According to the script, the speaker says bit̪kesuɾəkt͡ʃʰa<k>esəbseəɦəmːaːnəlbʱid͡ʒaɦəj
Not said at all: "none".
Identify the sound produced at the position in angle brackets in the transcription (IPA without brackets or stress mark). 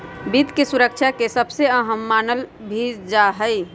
k